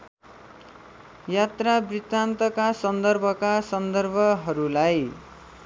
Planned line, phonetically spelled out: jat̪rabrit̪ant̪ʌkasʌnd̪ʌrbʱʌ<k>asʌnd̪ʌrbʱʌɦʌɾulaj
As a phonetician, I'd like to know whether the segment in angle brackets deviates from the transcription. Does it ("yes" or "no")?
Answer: no